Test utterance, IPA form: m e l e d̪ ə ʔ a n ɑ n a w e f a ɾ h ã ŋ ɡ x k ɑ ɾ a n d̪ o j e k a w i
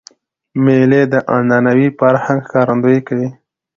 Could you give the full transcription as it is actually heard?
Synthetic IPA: m e l e d̪ ə ʔ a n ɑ n a w i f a ɾ h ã ŋ ɡ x k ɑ ɾ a n d̪ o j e k a w i